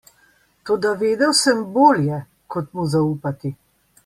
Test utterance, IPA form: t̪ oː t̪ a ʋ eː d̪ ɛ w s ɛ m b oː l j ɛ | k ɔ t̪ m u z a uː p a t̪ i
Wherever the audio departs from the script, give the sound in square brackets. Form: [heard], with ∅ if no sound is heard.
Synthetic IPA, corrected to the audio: t̪ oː [d̪] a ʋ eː d̪ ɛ w s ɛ m b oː l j ɛ | k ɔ t̪ m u z a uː p a t̪ i

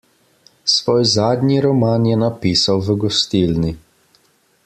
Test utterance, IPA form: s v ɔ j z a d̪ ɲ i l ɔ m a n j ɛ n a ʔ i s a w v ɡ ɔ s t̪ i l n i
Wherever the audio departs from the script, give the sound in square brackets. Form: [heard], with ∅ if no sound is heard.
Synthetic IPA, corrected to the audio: s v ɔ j z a d̪ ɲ i [ɾ] ɔ m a n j ɛ n a [p] i s a w v ɡ ɔ s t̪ i l n i

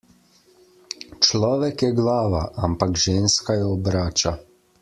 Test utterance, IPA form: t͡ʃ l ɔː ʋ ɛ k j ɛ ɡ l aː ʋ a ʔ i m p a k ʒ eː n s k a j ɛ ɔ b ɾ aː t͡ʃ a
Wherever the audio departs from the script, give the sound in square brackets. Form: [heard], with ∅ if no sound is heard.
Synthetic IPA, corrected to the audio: t͡ʃ l ɔː ʋ ɛ k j ɛ ɡ l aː ʋ a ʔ [a] m p a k ʒ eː n s k a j ɛ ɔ b ɾ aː t͡ʃ a

